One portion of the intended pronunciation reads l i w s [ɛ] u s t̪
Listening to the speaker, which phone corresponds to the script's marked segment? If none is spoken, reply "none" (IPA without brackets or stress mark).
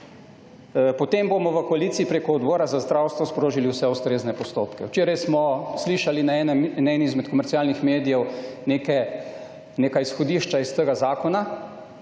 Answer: ɛ